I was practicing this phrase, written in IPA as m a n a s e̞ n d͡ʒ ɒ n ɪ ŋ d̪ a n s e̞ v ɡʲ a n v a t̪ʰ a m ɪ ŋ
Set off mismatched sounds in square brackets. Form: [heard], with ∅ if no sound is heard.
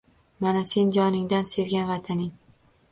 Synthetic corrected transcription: m a n a s e̞ n d͡ʒ ɒ n ɪ ŋ d̪ a n s e̞ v ɡʲ a n v a t̪ʰ a [n] ɪ ŋ